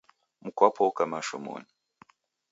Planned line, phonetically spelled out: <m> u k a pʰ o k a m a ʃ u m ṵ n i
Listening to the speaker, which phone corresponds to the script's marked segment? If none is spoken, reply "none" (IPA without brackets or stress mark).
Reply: m